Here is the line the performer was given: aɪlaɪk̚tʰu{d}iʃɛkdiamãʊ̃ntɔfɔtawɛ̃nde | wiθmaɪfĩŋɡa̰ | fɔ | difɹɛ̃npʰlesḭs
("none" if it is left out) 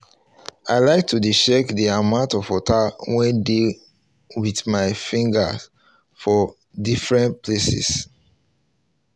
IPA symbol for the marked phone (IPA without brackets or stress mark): d